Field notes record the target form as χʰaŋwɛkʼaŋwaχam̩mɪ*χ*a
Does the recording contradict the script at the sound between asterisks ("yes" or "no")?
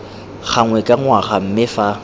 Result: yes